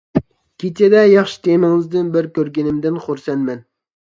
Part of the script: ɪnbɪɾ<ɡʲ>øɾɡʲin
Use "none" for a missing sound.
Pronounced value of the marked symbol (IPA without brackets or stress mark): kʲ